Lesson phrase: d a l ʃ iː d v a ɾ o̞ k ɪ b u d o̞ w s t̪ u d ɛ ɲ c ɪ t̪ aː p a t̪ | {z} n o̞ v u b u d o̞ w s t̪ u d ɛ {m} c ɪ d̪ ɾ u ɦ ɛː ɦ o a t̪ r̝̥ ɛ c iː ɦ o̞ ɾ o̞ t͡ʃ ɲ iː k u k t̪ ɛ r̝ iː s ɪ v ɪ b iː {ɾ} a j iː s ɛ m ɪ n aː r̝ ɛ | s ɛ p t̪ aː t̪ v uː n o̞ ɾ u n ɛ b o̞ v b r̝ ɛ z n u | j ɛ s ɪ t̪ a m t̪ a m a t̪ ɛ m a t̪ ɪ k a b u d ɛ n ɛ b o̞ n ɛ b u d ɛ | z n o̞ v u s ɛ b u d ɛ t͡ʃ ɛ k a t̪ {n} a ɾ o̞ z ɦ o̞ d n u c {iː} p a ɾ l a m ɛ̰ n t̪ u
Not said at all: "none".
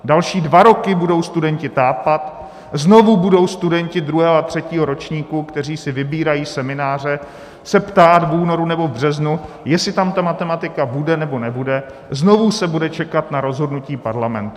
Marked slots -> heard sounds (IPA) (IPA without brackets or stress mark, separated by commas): z, ɲ, ɾ, n, iː